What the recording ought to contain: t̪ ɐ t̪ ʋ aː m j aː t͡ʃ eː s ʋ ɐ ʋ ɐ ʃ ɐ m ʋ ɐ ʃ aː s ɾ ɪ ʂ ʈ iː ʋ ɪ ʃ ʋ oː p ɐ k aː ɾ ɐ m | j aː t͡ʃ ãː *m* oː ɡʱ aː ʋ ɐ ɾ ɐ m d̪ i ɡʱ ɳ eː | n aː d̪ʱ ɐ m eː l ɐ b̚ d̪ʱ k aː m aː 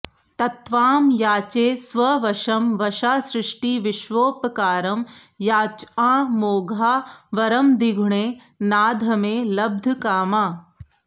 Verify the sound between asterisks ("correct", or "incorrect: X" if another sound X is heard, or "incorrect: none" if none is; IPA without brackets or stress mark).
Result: correct